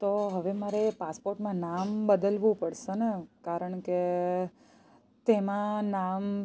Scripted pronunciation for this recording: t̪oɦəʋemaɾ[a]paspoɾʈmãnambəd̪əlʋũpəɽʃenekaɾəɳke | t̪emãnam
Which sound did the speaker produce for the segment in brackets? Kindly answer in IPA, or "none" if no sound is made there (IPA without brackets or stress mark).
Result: e